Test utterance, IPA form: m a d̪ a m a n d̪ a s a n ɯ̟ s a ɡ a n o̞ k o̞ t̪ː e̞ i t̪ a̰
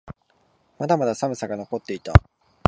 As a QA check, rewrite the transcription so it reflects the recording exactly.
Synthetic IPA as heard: m a d̪ a m a d̪ a s a m ɯ̟ s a ɡ a n o̞ k o̞ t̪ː e̞ i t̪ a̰

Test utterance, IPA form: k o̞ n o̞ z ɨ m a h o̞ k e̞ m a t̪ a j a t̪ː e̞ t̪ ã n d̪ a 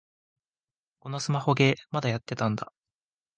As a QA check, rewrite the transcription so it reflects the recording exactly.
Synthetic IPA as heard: k o̞ n o̞ s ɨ m a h o̞ ɡ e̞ m a d̪ a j a t̪ː e̞ t̪ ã n d̪ a

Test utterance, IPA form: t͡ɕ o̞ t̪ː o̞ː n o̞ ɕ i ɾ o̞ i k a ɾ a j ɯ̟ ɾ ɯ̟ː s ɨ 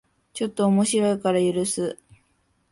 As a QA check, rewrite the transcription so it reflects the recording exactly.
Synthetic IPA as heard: t͡ɕ o̞ t̪ː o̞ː m o̞ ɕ i ɾ o̞ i k a ɾ a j ɯ̟ ɾ ɯ̟ s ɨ

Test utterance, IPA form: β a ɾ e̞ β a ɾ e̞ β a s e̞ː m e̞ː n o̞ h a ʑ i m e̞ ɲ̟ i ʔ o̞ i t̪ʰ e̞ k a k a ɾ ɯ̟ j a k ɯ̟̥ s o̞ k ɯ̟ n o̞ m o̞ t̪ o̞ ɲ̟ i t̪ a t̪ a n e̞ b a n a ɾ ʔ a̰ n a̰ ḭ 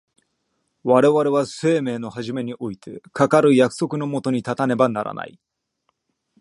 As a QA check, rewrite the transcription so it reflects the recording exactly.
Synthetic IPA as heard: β a ɾ e̞ β a ɾ e̞ β a s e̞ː m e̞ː n o̞ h a ʑ i m e̞ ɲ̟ i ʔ o̞ i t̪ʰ e̞ k a k a ɾ ɯ̟ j a k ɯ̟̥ s o̞ k ɯ̟ n o̞ m o̞ t̪ o̞ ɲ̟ i t̪ a t̪ a n e̞ b a n a ɾ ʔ a̰ n a̰ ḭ

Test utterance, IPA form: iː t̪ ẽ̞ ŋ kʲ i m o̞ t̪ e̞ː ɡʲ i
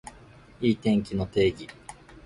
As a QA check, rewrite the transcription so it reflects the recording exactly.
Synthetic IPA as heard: iː t̪ ẽ̞ ŋ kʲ i n o̞ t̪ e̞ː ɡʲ i

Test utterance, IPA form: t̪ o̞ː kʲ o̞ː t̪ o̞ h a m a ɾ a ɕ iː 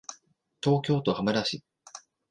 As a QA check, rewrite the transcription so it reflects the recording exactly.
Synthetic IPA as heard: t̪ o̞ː kʲ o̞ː t̪ o̞ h a m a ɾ a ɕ i

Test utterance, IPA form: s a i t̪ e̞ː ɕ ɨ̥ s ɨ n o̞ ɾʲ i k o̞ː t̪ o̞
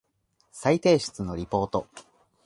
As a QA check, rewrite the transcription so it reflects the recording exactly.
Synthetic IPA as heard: s a i t̪ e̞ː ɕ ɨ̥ t͡s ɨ n o̞ ɾʲ i p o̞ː t̪ o̞

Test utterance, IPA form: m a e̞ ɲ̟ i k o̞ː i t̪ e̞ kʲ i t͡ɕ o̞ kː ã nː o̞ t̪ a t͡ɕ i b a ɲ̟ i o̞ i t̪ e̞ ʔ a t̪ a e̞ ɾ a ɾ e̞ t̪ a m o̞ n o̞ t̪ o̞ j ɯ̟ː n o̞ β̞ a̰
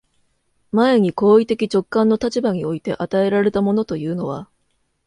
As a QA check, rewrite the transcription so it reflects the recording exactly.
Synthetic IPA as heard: m a e̞ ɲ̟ i k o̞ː i t̪ e̞ kʲ i t͡ɕ o̞ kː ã nː o̞ t̪ a t͡ɕ i b a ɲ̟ i o̞ i t̪ e̞ ʔ a t̪ a e̞ ɾ a ɾ e̞ t̪ a m o̞ n o̞ t̪ o̞ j ɯ̟ː n o̞ β̞ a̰

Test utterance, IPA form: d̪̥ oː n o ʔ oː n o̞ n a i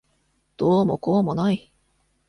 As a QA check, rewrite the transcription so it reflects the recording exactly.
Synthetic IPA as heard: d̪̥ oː m o k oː m o̞ n a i

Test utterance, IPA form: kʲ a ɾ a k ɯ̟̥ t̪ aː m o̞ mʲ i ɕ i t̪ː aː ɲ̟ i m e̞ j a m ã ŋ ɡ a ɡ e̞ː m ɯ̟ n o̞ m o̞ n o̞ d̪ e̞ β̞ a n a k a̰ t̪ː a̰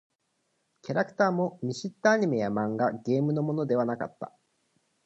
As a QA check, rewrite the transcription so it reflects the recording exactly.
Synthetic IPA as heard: kʲ a ɾ a k ɯ̟̥ t̪ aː m o̞ mʲ i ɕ i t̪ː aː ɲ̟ i m e̞ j a m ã ŋ ɡ a ɡ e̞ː m ɯ̟ n o̞ m o̞ n o̞ d̪ e̞ β̞ a n a k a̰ t̪ː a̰

